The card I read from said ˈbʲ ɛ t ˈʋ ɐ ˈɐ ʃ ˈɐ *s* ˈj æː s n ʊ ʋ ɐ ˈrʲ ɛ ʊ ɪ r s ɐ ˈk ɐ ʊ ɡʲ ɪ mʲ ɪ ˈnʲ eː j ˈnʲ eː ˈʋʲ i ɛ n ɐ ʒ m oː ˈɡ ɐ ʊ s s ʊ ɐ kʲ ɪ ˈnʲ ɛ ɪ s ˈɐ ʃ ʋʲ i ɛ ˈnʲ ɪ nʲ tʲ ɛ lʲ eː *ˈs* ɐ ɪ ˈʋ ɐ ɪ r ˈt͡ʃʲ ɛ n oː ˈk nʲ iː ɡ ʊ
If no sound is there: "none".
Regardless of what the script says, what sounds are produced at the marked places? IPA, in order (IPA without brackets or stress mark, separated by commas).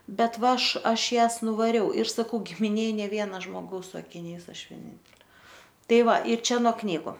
ʃ, t